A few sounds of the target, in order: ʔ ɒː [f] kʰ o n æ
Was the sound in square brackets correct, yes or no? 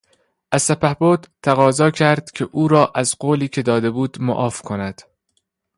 yes